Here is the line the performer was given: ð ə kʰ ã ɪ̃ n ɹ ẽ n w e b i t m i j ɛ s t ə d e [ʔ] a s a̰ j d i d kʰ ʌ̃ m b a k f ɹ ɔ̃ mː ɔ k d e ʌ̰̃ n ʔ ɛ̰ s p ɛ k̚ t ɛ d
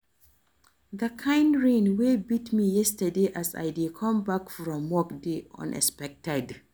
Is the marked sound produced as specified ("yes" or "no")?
yes